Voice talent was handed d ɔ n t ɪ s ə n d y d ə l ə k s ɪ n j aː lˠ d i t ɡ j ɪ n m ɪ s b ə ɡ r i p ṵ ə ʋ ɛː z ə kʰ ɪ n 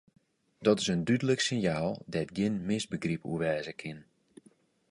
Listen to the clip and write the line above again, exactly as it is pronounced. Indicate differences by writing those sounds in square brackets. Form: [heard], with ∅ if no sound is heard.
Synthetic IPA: d ɔ [∅] t ɪ s ə n d y d ə l ə k s ɪ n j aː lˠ d [ɛ] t ɡ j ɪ n m ɪ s b ə ɡ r i p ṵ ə ʋ ɛː z ə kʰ ɪ n